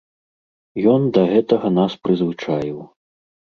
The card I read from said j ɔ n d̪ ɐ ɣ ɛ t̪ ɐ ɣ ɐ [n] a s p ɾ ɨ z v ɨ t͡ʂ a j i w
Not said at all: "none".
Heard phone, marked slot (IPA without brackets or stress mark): n